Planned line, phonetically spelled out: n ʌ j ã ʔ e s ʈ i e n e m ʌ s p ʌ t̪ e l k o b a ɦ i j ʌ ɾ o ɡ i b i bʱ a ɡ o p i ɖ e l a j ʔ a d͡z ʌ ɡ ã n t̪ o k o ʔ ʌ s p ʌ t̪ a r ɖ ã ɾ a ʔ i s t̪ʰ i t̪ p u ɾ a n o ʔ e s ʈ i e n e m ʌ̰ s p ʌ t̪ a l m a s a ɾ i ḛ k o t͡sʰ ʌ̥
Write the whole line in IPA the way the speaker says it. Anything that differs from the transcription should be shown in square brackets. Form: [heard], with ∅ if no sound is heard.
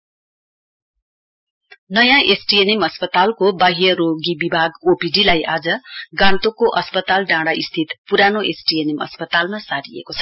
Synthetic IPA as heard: n ʌ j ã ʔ e s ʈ i e n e m ʌ s p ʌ t̪ [a] l k o b a ɦ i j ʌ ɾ o ɡ i b i bʱ a ɡ o p i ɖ [i] l a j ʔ a d͡z ʌ ɡ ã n t̪ o k o ʔ ʌ s p ʌ t̪ a [l] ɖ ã [ɽ] a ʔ i s t̪ʰ i t̪ p u ɾ a n o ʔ e s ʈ i e n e m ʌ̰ s p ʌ t̪ a l m a s a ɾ i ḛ k o t͡sʰ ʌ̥